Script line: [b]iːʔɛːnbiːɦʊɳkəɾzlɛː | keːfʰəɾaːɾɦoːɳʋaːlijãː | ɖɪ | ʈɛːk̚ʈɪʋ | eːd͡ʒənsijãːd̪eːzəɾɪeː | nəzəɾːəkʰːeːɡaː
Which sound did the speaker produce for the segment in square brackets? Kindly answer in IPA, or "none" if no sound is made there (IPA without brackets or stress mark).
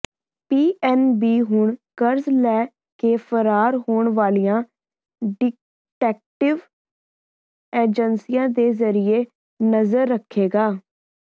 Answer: p